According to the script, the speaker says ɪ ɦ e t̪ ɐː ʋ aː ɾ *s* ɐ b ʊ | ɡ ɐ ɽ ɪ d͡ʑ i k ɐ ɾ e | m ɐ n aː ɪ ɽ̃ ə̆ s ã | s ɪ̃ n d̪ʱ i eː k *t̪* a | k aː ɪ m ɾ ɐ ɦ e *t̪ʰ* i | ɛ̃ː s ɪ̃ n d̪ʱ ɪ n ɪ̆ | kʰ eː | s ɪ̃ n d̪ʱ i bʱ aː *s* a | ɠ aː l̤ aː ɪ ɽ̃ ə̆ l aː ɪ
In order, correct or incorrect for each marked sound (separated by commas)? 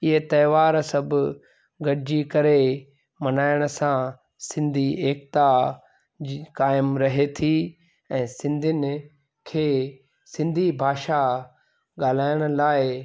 correct, correct, correct, incorrect